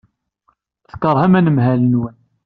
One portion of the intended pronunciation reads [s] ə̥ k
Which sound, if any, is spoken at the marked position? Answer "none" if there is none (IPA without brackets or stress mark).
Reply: θ